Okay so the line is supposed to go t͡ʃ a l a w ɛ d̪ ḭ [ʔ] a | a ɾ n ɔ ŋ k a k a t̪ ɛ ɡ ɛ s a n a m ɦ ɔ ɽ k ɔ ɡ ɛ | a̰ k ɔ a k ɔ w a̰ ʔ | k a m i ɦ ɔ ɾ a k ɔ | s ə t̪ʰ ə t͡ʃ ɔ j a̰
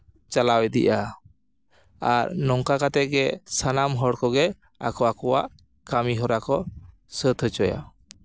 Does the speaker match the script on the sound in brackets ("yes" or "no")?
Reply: yes